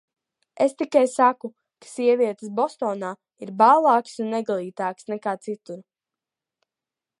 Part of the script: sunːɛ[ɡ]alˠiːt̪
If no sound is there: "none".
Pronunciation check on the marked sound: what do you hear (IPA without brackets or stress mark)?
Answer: ɡ